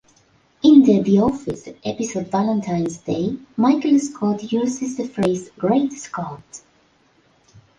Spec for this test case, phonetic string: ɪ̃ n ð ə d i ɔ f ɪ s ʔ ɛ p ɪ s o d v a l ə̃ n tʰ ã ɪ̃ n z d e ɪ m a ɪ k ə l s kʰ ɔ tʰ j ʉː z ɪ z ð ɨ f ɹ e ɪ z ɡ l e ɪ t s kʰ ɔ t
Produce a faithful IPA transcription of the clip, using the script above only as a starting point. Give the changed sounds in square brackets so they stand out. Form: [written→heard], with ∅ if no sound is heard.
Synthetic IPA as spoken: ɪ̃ n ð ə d i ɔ f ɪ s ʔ ɛ p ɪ s o d v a l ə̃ n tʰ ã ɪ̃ n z d e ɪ m a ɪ k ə l s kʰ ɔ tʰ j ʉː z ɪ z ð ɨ f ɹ e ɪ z ɡ [l→ɹ] e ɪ t s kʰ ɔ t

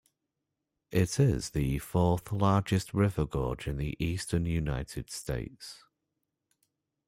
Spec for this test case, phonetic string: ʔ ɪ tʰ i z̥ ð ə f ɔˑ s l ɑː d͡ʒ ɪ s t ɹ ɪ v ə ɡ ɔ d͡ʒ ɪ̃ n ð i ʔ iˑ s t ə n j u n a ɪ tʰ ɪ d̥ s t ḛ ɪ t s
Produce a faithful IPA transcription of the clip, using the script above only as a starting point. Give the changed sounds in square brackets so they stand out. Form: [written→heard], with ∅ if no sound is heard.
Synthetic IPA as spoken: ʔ ɪ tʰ [i→ɪ] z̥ ð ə f ɔˑ [s→θ] l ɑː d͡ʒ ɪ s t ɹ ɪ v ə ɡ [ɔ→ɔː] d͡ʒ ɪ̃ n ð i ʔ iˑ s t ə n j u n a ɪ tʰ ɪ d̥ s t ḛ ɪ t s

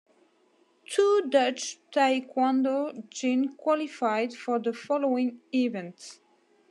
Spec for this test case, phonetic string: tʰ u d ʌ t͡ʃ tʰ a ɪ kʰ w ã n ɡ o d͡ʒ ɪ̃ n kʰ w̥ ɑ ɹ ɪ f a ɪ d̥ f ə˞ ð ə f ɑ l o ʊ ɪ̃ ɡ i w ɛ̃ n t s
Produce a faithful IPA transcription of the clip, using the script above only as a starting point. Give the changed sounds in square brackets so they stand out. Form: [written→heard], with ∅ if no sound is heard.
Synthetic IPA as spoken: tʰ u d ʌ t͡ʃ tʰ a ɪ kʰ w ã n [ɡ→d] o d͡ʒ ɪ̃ n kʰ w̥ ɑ [ɹ→l] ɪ f a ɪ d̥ f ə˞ ð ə f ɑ l o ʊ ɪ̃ [ɡ→ŋ] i [w→v] ɛ̃ n t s

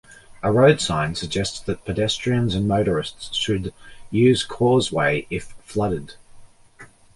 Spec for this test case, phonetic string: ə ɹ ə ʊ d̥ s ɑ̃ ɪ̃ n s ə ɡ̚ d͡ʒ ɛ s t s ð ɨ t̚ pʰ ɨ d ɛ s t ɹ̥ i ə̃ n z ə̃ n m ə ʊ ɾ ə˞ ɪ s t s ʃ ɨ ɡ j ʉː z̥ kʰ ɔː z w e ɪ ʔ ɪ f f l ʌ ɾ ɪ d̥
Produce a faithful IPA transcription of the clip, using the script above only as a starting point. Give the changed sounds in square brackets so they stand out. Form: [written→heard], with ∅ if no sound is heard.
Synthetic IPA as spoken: ə ɹ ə ʊ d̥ s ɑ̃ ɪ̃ n s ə ɡ̚ d͡ʒ ɛ s t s ð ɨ t̚ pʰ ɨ d ɛ s t ɹ̥ i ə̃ n z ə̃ n m ə ʊ ɾ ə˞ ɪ s t s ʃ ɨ [ɡ→d] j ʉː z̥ kʰ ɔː z w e ɪ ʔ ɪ f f l ʌ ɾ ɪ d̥

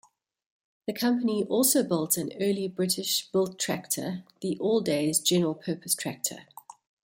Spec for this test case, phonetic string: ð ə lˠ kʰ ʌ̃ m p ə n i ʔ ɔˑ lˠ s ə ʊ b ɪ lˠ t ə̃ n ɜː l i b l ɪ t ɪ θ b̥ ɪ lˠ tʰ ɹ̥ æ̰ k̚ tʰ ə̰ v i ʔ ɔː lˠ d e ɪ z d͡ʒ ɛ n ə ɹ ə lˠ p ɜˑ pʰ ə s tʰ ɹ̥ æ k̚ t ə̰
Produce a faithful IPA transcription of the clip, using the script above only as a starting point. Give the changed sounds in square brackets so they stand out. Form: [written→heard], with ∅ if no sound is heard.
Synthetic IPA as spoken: ð ə [lˠ→∅] kʰ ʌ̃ m p ə n i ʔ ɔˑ lˠ s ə ʊ b ɪ lˠ t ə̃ n ɜː l i b [l→ɹ] ɪ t ɪ [θ→ʃ] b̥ ɪ lˠ tʰ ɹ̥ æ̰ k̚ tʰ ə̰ [v→ð] i ʔ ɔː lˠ d e ɪ z d͡ʒ ɛ n ə ɹ ə lˠ [p→pʰ] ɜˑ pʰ ə s tʰ ɹ̥ æ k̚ [t→tʰ] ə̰

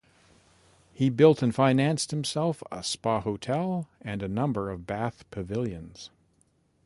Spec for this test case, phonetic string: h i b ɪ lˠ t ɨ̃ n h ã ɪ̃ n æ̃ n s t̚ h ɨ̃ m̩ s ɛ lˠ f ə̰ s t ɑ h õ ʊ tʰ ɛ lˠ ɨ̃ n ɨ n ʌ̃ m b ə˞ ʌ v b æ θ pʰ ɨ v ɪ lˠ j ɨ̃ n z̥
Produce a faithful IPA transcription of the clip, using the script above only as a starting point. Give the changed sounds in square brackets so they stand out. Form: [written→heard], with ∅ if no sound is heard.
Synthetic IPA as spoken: h i b ɪ lˠ t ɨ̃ n [h→f] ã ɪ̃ n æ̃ n s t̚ h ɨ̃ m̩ s ɛ lˠ f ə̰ s [t→p] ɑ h [õ→o] ʊ tʰ ɛ lˠ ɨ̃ n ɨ n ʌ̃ m b ə˞ ʌ v b æ θ pʰ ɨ v ɪ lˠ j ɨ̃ n z̥

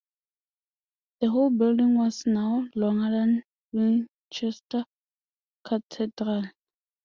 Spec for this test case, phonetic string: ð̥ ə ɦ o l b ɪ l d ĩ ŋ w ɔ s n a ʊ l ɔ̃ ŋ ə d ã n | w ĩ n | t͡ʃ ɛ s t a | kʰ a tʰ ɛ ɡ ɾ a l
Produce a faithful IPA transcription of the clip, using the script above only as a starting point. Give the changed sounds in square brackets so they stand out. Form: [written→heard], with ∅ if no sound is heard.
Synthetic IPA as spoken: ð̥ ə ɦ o l b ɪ l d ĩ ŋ w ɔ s n a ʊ l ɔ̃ ŋ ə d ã n | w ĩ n | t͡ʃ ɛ s t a | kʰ a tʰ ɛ [ɡ→d] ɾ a l

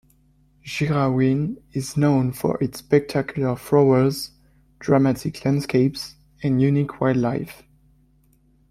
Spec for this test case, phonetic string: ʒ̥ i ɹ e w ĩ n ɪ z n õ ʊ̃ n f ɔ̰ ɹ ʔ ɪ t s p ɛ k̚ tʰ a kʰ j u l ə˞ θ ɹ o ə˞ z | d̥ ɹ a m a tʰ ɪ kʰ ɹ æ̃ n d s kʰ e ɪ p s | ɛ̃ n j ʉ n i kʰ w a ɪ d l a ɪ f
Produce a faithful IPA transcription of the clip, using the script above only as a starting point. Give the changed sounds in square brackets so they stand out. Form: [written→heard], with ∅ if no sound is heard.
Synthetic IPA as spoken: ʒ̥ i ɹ [e→a] w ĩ n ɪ z n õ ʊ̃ n f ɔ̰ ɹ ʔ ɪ t s p ɛ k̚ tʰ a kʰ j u l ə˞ [θ→f] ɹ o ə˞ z | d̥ ɹ a m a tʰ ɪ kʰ [ɹ→l] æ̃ n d s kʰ e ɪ p s | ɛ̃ n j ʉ n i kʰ w a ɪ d l a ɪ f

